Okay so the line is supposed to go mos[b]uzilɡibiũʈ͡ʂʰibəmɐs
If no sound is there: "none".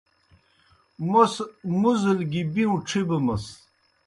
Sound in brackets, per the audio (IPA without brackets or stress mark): m